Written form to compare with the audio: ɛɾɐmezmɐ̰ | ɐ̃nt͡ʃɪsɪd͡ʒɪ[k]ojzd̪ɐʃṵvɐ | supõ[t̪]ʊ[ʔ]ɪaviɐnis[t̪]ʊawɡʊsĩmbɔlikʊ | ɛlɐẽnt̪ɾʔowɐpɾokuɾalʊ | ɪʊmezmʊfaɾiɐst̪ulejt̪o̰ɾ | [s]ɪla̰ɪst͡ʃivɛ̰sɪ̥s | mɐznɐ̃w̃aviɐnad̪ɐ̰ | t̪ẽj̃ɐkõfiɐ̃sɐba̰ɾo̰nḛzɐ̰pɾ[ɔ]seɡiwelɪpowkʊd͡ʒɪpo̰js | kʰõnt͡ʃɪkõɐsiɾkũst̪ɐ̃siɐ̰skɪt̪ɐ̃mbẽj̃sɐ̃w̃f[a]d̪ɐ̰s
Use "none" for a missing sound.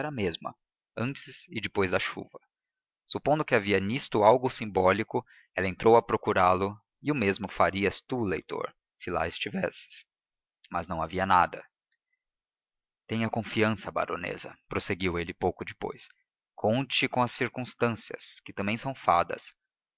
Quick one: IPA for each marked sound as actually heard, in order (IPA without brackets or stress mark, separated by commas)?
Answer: p, d̪, k, t̪, s, o, a